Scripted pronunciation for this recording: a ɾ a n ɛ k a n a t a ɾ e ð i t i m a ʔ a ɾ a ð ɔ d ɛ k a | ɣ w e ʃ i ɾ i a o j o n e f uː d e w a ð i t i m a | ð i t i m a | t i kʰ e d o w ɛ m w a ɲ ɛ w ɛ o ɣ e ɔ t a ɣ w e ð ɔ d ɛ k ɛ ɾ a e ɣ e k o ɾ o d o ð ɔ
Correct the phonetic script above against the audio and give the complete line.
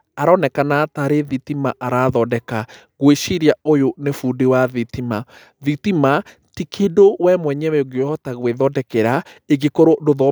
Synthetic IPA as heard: a ɾ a n ɛ k a n a t a ɾ e ð i t i m a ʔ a ɾ a ð ɔ d ɛ k a | ɣ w e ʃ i ɾ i a o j o n e f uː d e w a ð i t i m a | ð i t i m a | t i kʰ e d o w ɛ m w ɛ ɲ ɛ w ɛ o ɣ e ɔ t a ɣ w e ð ɔ d ɛ k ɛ ɾ a e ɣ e k o ɾ o d o ð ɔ

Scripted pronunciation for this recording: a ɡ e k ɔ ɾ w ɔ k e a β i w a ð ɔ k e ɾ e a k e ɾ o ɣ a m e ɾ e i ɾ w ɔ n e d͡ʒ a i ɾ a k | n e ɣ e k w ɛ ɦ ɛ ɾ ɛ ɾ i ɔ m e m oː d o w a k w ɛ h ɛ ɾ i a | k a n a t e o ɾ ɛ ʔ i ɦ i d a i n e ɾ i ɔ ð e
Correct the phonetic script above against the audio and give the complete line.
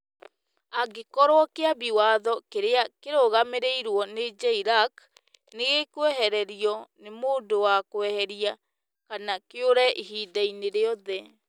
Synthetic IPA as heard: a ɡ e k ɔ ɾ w ɔ k e a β i w a ð ɔ k e ɾ e a k e ɾ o ɣ a m e ɾ e i ɾ w ɔ n e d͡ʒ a i ɾ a k | n e ɣ e k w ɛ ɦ ɛ ɾ ɛ ɾ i ɔ n e m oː d o w a k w ɛ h ɛ ɾ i a | k a n a k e o ɾ ɛ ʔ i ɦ i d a i n e ɾ e ɔ ð ɛ

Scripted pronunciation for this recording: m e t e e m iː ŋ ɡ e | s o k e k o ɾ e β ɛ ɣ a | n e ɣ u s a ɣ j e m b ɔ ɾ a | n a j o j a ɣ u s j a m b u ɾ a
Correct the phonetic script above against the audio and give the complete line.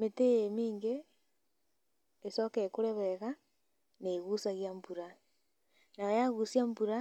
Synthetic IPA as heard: m e t e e m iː ŋ ɡ e | s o k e k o ɾ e β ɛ ɣ a | n e ɣ u s a ɣ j a m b u ɾ a | n a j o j a ɣ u s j a m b u ɾ a

